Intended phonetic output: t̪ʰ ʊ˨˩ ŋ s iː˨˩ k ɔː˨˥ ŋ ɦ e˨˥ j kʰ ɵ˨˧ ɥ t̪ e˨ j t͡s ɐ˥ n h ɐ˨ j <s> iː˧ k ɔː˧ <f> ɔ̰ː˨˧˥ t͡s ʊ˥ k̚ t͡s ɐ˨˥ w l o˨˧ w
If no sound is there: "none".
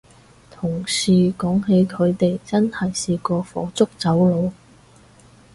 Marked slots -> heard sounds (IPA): s, f

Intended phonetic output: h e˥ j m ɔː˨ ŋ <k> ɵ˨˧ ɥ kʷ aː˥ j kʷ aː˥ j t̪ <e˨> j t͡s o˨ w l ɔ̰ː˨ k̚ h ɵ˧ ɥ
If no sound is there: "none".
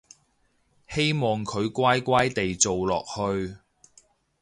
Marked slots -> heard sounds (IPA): kʰ, e˨

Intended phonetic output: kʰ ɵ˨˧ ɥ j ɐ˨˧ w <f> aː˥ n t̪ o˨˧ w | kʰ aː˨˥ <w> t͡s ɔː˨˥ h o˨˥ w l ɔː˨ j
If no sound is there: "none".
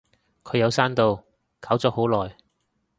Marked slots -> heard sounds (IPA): s, w

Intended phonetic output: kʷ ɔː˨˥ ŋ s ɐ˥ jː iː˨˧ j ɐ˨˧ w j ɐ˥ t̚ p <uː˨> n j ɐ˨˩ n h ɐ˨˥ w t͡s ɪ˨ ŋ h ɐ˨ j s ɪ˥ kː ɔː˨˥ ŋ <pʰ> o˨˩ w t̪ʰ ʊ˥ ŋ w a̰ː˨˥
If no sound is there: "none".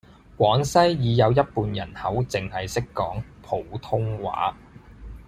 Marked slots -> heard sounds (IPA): uː˨, pʰ

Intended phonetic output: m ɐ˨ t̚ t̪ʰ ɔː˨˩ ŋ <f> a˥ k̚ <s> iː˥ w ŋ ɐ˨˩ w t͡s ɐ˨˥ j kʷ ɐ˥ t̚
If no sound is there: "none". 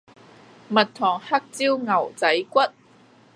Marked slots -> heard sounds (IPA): h, t͡s

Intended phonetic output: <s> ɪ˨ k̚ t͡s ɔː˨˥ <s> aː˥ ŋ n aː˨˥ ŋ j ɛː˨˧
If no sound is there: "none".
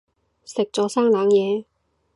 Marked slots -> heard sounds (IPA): s, s

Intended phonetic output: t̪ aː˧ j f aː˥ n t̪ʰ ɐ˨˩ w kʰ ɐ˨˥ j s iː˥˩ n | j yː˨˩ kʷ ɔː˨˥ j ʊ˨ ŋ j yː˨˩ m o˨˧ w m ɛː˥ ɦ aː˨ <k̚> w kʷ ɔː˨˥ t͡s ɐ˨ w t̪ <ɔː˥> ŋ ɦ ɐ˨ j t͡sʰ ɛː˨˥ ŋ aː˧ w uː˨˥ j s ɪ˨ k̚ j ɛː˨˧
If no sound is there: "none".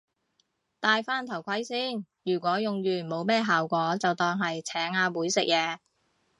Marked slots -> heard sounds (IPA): none, ɔː˧

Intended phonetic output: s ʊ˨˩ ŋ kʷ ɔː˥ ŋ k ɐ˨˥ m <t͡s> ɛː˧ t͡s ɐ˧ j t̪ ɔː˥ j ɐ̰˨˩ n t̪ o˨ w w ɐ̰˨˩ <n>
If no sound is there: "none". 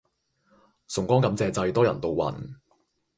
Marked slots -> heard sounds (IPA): t͡s, n

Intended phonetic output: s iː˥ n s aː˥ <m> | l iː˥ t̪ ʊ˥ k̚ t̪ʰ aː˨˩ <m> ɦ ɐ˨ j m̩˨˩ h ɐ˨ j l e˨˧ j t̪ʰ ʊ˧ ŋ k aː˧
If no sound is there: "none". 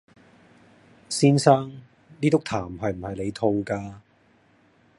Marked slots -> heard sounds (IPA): ŋ, m

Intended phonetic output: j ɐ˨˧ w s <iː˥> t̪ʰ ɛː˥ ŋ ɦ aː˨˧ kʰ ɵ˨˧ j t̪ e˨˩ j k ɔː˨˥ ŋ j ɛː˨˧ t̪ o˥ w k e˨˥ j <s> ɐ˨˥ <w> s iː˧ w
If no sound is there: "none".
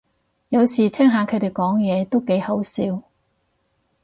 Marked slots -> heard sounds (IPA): iː˨˩, h, w

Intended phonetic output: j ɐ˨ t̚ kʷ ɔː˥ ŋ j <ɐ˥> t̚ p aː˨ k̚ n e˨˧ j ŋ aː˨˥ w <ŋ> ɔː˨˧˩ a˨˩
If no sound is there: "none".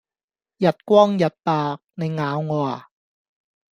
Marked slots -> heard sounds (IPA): ɐ˨˩, ŋ

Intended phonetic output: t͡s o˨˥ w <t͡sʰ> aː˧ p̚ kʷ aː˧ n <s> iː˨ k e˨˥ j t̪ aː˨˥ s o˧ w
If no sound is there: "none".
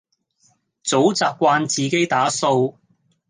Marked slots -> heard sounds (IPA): t͡s, t͡s

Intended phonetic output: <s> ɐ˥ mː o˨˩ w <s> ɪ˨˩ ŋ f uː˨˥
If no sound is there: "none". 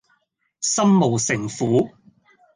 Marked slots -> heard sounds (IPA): s, s

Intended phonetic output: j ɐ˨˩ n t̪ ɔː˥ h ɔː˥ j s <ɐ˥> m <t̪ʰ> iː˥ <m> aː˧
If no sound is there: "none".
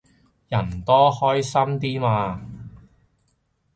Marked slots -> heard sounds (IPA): ɐ˥, t̪, m

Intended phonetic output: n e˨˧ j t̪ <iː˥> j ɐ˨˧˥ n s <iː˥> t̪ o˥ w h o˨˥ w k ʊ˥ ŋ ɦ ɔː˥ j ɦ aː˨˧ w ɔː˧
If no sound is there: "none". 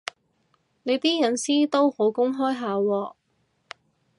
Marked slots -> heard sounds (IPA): iː˥, iː˥

